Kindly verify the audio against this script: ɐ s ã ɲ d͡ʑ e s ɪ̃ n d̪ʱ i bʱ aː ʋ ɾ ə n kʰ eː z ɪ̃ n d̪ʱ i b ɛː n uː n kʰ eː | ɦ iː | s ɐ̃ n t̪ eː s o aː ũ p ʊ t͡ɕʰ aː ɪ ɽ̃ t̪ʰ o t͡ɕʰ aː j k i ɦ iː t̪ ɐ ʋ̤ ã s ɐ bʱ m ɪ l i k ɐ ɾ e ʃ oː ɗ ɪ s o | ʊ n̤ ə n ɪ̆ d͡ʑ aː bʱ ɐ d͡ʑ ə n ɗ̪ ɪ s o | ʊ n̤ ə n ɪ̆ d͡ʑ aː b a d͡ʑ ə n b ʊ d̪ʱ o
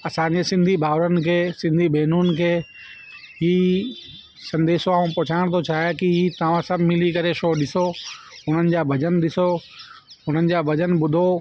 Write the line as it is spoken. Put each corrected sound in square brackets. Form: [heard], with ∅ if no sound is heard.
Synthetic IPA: ɐ s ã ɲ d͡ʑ e s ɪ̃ n d̪ʱ i bʱ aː ʋ ɾ ə n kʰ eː [s] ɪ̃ n d̪ʱ i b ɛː n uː n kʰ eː | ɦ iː | s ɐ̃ n [d̪] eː s o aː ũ p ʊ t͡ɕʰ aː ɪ ɽ̃ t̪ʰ o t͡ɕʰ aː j k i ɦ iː t̪ ɐ ʋ̤ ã s ɐ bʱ m ɪ l i k ɐ ɾ e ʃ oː ɗ ɪ s o | ʊ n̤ ə n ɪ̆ d͡ʑ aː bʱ ɐ d͡ʑ ə n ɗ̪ ɪ s o | ʊ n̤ ə n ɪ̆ d͡ʑ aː b [ɐ] d͡ʑ ə n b ʊ d̪ʱ o

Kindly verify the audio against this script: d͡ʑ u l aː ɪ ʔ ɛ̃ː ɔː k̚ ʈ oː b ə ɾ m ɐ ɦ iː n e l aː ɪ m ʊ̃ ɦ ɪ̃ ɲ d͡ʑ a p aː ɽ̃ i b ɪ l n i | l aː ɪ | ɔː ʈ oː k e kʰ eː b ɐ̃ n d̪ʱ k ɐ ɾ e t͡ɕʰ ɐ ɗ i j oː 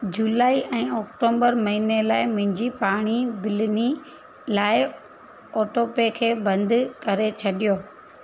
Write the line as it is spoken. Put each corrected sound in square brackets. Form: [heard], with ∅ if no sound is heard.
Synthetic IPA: d͡ʑ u l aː [i] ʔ ɛ̃ː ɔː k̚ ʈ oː b ə ɾ m ɐ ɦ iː n e l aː ɪ m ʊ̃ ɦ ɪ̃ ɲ d͡ʑ [i] p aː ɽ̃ i b ɪ l n i | l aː ɪ | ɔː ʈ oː [p] e kʰ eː b ɐ̃ n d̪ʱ k ɐ ɾ e t͡ɕʰ ɐ ɗ i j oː

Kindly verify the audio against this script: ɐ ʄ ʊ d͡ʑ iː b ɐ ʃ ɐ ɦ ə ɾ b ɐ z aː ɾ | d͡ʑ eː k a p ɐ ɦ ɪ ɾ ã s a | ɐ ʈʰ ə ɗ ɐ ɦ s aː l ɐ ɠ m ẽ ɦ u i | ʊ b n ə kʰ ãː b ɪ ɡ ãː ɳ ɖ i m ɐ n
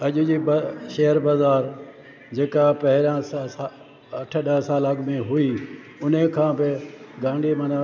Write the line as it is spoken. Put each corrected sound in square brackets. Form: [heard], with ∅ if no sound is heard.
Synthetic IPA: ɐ ʄ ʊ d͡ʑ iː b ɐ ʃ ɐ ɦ ə ɾ b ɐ z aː ɾ | d͡ʑ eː k a p ɐ ɦ ɪ ɾ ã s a | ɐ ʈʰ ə ɗ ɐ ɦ s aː l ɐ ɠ m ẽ ɦ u i | ʊ [∅] n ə kʰ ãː b ɪ ɡ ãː ɳ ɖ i m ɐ n

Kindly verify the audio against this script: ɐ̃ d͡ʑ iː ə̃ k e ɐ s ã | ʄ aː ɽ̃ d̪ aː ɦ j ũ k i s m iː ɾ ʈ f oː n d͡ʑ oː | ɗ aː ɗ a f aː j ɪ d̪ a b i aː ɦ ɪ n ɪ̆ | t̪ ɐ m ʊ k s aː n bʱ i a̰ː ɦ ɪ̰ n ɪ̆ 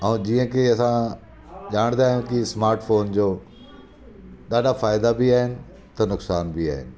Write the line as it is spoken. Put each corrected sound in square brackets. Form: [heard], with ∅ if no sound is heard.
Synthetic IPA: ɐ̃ d͡ʑ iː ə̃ k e ɐ s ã | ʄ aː ɽ̃ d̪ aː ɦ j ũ k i s m [aː] ɾ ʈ f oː n d͡ʑ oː | ɗ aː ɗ a f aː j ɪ d̪ a b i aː ɦ ɪ n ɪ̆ | t̪ ɐ [n] ʊ k s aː n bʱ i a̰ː ɦ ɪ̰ n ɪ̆

